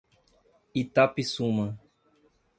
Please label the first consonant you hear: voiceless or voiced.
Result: voiceless